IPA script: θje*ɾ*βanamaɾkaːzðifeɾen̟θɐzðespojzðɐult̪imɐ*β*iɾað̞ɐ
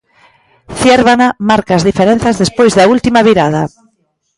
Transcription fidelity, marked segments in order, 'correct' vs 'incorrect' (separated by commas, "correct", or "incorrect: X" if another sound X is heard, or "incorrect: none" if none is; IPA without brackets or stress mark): correct, correct